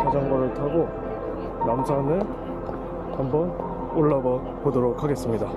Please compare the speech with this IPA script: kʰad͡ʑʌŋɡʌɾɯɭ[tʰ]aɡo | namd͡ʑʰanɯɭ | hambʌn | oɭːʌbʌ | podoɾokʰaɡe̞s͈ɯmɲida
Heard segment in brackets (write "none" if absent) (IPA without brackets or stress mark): tʰ